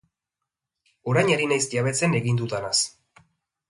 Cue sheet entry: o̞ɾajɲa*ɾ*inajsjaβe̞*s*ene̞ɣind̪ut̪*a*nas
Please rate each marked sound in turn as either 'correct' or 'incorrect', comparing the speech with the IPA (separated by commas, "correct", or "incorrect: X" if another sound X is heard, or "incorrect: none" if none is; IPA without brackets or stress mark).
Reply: correct, incorrect: t͡s, correct